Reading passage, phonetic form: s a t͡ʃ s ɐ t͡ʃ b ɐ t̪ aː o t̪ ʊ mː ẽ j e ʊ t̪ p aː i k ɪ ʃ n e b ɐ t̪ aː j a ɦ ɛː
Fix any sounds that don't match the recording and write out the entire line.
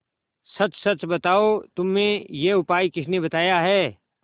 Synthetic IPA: s ɐ t͡ʃ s ɐ t͡ʃ b ɐ t̪ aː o t̪ ʊ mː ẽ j e ʊ p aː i k ɪ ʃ n e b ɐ t̪ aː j a ɦ ɛː